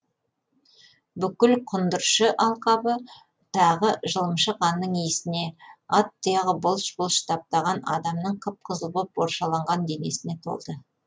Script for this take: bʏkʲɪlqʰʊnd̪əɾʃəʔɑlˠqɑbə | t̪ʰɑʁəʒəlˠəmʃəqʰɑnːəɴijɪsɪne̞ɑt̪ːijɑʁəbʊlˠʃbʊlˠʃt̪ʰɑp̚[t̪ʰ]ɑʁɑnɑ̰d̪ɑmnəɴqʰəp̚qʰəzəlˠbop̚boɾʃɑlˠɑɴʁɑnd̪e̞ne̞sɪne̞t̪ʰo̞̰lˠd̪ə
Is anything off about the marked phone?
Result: yes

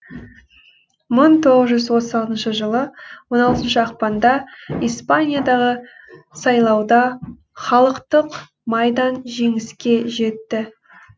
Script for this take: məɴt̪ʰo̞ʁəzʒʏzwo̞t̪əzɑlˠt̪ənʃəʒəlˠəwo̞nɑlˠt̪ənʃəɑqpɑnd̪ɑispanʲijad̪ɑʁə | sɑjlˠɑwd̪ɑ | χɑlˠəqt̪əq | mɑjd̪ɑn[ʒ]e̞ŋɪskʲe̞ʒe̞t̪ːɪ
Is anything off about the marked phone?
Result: no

